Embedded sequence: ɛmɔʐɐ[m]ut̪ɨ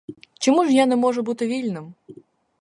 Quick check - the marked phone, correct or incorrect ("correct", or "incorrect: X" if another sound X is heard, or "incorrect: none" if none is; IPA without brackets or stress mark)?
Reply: incorrect: b